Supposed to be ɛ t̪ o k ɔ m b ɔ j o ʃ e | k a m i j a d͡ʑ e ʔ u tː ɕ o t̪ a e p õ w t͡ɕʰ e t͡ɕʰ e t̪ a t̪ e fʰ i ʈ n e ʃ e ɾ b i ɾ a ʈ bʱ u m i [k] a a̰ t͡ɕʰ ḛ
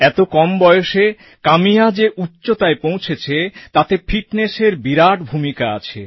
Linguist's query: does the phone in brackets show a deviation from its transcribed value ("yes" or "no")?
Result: no